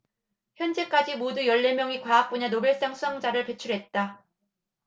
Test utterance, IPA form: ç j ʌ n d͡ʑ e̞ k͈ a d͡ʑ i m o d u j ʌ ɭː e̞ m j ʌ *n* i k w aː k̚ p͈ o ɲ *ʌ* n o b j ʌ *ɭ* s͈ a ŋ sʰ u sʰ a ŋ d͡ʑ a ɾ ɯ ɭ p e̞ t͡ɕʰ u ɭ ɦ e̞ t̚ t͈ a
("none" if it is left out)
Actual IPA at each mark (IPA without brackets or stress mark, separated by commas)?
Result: ŋ, a, ɭ